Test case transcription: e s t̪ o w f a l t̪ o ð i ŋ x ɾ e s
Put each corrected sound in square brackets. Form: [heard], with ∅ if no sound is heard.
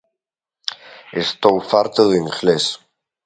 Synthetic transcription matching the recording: e s t̪ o w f a [ɾ] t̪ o ð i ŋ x [l] e s